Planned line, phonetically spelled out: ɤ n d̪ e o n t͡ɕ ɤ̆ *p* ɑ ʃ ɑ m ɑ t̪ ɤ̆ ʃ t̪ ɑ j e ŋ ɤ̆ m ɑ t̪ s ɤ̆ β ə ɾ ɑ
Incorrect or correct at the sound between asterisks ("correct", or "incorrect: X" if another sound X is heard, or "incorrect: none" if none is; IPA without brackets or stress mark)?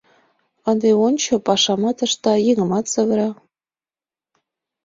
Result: correct